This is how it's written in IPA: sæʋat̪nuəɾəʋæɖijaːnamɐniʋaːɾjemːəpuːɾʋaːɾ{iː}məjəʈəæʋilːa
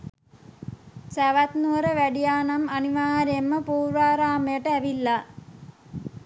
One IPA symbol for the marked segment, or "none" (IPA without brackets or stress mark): aː